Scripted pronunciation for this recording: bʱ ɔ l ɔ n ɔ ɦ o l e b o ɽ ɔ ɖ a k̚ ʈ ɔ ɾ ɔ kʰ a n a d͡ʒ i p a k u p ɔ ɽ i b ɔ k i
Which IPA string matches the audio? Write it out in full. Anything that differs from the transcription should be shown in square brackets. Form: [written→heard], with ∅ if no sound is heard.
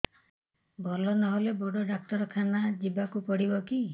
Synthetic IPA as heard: bʱ ɔ l ɔ n ɔ ɦ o l e b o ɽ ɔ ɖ a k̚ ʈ ɔ ɾ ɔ kʰ a n a d͡ʒ i [p→b] a k u p ɔ ɽ i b ɔ k i